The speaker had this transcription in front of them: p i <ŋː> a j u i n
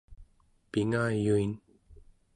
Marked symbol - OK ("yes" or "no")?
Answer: no